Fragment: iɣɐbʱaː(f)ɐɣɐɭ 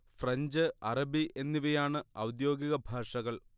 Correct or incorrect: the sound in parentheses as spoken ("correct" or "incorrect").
incorrect